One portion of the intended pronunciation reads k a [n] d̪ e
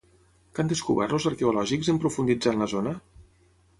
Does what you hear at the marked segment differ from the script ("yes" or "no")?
no